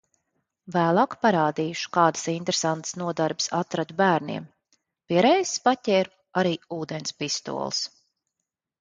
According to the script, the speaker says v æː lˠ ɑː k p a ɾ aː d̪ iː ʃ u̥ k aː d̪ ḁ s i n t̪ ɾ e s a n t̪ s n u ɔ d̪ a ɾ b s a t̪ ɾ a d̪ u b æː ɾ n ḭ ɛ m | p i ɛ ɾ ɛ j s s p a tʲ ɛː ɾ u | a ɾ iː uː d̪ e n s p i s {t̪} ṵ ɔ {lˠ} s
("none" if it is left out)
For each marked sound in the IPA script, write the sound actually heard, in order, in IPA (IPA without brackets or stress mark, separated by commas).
t̪, lˠ